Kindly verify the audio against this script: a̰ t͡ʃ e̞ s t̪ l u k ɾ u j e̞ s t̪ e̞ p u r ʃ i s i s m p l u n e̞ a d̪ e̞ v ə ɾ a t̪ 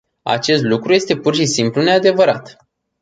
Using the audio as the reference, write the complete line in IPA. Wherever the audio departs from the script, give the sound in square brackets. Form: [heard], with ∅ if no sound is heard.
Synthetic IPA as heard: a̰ t͡ʃ e̞ s t̪ l u k ɾ u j e̞ s t̪ e̞ p u r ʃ i s i [∅] m p l u n e̞ a d̪ e̞ v ə ɾ a t̪